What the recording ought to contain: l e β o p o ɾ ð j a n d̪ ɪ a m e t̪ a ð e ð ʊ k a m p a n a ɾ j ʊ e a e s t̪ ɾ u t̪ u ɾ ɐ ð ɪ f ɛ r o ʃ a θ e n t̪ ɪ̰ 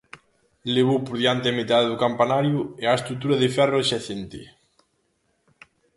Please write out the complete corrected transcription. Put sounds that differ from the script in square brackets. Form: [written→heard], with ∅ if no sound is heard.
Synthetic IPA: l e β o p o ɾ ð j a n [d̪→t̪] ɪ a m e t̪ a ð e ð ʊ k a m p a n a ɾ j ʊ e a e s t̪ ɾ u t̪ u ɾ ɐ ð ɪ f ɛ r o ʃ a θ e n t̪ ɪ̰